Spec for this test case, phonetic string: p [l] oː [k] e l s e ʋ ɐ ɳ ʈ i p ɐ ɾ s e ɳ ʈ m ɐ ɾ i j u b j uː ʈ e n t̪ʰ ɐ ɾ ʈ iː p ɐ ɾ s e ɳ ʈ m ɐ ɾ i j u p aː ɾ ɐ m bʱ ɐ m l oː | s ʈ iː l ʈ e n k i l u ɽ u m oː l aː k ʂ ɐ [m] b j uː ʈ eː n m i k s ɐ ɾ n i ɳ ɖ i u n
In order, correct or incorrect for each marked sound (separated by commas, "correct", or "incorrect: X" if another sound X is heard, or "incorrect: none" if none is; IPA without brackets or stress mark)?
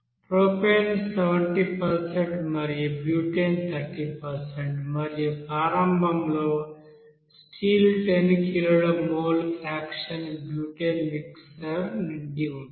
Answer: incorrect: ɾ, incorrect: p, incorrect: n